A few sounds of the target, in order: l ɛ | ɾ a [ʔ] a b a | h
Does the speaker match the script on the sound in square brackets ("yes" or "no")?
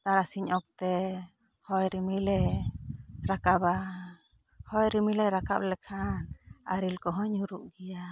no